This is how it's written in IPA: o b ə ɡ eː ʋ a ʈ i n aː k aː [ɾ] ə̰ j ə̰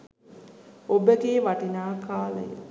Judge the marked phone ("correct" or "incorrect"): incorrect